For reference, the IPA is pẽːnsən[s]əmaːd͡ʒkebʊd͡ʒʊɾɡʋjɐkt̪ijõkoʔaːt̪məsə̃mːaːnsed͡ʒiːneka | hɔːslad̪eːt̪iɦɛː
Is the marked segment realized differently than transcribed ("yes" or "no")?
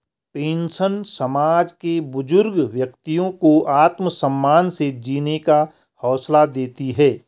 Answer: no